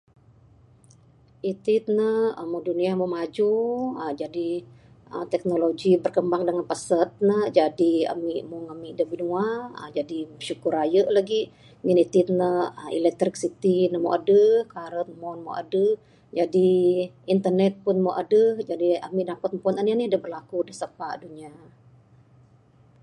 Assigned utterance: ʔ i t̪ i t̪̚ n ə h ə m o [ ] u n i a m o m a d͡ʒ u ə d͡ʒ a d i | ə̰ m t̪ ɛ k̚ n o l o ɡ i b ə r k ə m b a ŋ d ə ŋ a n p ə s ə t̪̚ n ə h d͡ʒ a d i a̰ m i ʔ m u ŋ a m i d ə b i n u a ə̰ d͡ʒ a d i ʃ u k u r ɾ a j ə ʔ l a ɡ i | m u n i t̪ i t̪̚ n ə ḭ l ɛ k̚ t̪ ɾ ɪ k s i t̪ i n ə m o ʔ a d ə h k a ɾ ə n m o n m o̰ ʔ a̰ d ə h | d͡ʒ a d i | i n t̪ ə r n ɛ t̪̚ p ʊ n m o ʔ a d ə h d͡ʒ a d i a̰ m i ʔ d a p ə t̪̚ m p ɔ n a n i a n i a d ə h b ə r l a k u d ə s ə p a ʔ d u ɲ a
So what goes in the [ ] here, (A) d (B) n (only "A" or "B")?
A